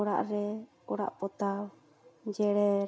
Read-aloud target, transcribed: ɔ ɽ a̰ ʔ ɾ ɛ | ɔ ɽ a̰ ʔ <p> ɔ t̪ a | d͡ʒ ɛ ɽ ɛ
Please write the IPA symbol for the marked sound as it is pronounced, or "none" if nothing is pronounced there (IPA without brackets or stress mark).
p